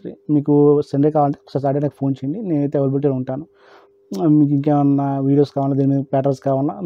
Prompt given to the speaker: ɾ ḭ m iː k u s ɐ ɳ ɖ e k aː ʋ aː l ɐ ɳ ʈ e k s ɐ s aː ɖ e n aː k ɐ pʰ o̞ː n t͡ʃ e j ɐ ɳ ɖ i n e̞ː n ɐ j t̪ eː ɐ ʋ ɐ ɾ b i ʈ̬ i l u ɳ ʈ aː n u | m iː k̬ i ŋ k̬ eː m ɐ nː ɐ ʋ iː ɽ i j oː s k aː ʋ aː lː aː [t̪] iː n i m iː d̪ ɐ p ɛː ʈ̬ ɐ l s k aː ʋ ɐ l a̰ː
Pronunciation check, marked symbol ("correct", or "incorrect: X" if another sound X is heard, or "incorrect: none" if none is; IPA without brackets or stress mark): incorrect: d̪